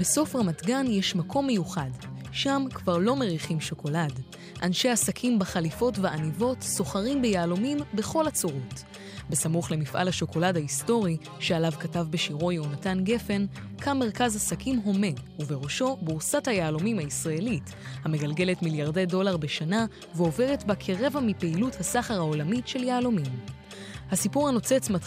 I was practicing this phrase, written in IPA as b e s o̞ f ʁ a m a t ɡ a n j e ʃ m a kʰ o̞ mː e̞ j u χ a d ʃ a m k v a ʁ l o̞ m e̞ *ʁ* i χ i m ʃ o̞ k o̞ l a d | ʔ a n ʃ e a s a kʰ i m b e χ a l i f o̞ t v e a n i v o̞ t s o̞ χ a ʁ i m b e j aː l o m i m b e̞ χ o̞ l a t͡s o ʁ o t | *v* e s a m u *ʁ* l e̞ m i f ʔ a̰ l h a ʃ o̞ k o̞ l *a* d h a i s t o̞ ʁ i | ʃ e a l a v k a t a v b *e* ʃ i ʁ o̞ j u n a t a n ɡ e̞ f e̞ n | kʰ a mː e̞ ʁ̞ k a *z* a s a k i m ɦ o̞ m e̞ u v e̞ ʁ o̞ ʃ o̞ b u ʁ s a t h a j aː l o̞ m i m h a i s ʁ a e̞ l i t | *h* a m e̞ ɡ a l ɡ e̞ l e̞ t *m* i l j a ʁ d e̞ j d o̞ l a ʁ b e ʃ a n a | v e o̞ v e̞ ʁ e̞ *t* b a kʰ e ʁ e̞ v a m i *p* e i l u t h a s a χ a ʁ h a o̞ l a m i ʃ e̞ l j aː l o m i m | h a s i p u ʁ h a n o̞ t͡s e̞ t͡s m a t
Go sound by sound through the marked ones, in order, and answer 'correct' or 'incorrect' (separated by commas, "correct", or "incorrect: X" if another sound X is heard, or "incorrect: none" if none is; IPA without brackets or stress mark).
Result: correct, incorrect: b, incorrect: χ, correct, correct, correct, correct, correct, correct, correct